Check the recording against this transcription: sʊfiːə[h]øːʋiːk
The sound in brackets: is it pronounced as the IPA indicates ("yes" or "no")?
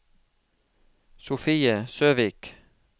no